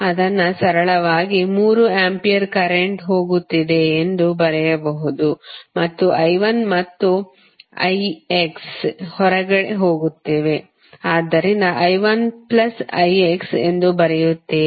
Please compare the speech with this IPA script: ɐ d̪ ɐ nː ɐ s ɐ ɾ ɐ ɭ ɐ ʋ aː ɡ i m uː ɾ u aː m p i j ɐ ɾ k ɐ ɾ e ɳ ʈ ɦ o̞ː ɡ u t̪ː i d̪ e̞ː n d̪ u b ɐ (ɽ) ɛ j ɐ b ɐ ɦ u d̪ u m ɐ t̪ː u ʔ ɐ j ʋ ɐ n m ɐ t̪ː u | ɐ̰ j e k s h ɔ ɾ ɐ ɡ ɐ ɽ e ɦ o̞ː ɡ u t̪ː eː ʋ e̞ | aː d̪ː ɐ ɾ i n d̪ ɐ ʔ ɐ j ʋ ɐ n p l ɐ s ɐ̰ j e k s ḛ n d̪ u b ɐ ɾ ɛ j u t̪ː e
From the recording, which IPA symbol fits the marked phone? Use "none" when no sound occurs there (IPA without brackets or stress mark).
ɾ